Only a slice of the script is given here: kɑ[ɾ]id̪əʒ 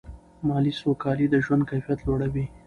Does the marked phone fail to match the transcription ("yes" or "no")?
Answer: yes